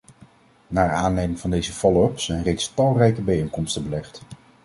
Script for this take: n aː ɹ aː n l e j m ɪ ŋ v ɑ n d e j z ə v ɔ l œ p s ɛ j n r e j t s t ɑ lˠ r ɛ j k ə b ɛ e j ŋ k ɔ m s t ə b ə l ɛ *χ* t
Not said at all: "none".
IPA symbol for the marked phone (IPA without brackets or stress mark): χ